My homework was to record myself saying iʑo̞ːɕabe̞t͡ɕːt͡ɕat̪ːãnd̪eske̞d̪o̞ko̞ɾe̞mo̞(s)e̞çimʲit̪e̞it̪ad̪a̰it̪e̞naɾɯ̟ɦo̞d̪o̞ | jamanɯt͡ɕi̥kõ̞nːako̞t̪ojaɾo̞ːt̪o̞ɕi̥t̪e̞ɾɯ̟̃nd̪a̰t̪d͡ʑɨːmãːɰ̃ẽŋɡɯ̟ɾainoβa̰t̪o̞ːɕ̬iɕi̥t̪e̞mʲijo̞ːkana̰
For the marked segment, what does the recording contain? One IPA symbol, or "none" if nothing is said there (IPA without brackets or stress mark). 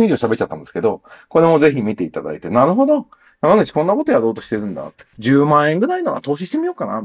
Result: z